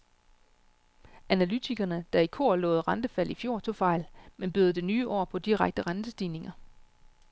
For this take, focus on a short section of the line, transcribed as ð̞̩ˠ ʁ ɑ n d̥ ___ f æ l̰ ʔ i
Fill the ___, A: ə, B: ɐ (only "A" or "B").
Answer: A